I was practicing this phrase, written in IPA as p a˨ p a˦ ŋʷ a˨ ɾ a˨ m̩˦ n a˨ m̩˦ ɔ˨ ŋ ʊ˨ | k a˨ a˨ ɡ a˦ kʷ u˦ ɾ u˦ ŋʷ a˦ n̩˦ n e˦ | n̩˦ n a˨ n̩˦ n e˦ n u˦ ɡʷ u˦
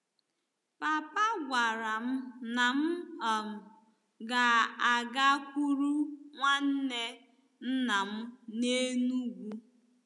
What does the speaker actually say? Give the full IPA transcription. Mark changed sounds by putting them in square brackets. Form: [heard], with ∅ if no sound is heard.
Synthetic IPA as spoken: p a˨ p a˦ [ɡʷ] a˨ ɾ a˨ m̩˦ n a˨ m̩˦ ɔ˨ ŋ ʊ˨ | [ɡ] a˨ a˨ ɡ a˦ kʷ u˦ ɾ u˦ ŋʷ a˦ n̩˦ n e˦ | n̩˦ n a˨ [m̩˦] n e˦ n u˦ ɡʷ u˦